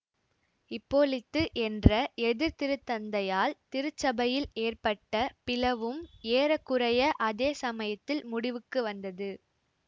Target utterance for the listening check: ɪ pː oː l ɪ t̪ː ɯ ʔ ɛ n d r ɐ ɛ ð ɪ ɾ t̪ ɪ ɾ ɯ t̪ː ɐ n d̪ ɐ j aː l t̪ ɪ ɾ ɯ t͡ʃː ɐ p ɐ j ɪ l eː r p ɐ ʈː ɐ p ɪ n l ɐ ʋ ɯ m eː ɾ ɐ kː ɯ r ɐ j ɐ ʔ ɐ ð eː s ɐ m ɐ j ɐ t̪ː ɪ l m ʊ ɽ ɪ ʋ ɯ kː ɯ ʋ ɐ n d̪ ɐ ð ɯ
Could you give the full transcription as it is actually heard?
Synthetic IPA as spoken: ɪ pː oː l ɪ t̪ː ɯ ʔ ɛ n d r ɐ ɛ ð ɪ ɾ t̪ ɪ ɾ ɯ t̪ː ɐ n d̪ ɐ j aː l t̪ ɪ ɾ ɯ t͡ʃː ɐ b ɐ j ɪ l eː r p ɐ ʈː ɐ p ɪ l ɐ ʋ ɯ m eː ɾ ɐ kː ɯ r ɐ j ɐ ʔ ɐ ð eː s ɐ m ɐ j ɐ t̪ː ɪ l m ʊ ɽ ɪ ʋ ɯ kː ɯ ʋ ɐ n d̪ ɐ ð ɯ